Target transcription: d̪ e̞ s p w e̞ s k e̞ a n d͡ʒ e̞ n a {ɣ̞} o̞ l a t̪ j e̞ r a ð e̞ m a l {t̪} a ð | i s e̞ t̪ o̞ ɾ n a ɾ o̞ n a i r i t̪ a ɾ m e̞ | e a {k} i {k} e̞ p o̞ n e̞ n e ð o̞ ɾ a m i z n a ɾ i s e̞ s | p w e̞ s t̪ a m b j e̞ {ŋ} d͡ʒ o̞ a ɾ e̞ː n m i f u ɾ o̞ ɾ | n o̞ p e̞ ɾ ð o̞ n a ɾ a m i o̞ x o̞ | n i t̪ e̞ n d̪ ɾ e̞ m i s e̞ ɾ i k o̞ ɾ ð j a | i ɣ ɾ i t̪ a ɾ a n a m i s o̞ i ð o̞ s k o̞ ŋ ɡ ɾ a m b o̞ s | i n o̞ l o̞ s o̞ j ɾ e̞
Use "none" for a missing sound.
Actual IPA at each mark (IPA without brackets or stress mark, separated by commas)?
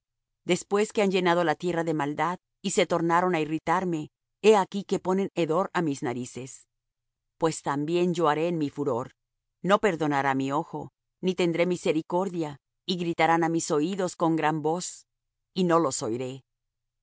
ð̞, d̪, k, k, n